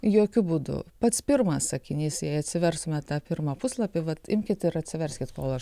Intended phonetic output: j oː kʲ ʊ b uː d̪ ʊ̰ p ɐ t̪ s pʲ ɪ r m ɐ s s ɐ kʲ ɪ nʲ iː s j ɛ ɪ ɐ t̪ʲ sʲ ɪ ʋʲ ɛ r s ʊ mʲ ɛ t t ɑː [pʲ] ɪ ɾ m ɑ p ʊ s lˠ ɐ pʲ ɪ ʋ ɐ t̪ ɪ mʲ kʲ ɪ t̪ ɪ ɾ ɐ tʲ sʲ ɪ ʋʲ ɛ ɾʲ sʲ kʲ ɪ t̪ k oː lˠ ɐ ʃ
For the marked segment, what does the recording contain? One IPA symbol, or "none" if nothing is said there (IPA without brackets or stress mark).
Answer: pʲ